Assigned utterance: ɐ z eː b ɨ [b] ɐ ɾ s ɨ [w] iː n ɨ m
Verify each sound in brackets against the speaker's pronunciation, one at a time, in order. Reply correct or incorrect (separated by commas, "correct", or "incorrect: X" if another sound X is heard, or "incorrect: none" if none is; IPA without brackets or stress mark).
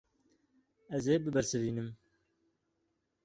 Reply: correct, incorrect: v